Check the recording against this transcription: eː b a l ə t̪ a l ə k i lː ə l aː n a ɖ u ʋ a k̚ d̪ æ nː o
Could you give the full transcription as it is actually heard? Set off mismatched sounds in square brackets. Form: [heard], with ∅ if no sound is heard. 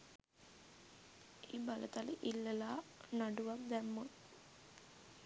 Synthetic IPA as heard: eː b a l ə t̪ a l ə [ʔ] i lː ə l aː n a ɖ u ʋ a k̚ d̪ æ [mː] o